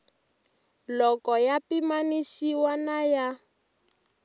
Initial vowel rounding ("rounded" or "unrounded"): rounded